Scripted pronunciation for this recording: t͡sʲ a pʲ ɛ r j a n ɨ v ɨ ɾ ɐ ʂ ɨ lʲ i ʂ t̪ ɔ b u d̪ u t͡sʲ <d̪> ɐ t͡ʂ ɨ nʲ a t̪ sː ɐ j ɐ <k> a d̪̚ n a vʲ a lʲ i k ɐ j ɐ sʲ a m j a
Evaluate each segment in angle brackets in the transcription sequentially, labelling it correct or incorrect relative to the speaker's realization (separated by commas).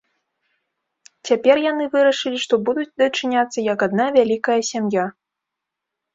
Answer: correct, correct